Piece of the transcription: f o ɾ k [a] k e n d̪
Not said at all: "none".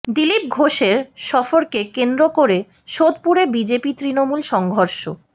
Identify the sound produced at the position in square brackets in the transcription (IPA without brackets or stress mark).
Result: e